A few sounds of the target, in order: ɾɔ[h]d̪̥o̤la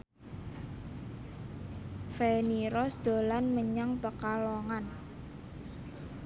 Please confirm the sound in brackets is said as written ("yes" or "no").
no